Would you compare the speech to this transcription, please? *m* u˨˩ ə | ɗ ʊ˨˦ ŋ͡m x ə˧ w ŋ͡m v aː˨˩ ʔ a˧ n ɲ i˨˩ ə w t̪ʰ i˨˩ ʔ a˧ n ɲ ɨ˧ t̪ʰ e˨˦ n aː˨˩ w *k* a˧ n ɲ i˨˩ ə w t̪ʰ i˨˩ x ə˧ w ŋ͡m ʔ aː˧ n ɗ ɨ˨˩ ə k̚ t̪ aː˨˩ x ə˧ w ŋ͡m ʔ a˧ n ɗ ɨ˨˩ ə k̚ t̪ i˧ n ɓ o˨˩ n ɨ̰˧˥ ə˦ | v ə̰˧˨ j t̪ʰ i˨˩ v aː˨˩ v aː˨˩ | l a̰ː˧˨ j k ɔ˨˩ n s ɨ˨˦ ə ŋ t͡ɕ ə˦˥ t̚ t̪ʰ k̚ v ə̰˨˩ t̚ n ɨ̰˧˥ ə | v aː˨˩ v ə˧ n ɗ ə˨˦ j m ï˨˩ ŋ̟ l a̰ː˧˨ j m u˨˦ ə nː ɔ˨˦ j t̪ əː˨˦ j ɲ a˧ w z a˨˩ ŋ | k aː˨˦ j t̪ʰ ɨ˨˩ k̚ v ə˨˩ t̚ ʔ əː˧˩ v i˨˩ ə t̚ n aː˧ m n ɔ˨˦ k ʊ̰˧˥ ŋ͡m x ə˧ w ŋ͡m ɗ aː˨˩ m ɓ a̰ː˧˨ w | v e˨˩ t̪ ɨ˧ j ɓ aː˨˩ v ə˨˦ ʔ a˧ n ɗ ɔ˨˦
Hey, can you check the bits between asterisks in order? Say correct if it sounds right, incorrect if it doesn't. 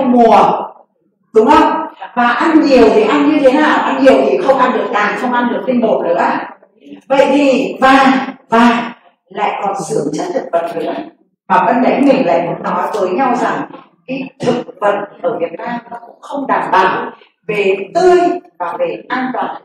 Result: correct, incorrect: ʔ

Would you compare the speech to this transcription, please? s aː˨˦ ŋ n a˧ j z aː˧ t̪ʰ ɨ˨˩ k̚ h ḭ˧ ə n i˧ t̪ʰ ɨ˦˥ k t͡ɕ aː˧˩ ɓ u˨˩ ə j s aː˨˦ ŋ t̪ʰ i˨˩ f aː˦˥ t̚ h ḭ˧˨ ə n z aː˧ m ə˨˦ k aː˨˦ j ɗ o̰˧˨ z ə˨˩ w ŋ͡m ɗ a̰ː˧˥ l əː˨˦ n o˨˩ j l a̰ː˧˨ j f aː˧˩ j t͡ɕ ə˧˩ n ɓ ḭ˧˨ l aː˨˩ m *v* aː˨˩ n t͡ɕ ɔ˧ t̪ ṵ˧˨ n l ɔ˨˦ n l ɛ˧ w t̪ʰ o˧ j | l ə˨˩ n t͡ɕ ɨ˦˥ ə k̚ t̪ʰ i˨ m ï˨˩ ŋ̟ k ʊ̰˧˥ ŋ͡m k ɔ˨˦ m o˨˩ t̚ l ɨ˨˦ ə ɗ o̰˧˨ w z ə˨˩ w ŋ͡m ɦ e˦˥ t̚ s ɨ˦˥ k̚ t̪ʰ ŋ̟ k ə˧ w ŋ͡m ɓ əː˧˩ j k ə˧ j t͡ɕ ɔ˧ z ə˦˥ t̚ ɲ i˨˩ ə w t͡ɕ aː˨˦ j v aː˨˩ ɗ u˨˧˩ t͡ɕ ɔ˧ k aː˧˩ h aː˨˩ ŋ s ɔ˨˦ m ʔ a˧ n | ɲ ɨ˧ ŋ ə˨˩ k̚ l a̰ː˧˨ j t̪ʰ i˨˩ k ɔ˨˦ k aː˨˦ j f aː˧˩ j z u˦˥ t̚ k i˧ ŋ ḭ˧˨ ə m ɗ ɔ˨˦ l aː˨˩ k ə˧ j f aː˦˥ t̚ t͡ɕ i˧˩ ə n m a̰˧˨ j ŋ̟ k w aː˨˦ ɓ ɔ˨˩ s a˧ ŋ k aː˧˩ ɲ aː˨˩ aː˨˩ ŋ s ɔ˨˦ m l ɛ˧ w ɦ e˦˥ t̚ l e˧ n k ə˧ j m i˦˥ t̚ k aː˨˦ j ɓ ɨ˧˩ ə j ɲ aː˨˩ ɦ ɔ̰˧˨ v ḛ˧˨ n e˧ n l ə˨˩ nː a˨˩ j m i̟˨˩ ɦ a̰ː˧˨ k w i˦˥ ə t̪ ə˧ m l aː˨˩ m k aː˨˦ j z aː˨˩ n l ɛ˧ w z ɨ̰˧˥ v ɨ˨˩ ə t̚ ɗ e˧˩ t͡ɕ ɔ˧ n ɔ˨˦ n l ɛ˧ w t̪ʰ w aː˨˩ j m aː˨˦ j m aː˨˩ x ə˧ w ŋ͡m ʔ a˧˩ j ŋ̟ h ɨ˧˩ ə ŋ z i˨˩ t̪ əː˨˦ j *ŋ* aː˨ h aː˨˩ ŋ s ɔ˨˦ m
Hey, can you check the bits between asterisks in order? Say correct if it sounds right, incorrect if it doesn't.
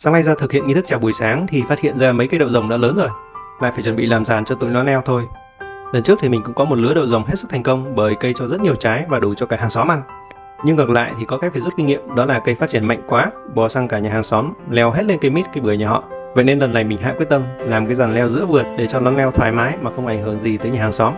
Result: incorrect: z, incorrect: ɲ

